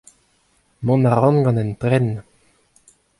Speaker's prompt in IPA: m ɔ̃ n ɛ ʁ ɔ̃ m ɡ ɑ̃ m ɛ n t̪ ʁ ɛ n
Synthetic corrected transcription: m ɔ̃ n a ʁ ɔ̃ n ɡ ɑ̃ n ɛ n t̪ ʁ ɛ n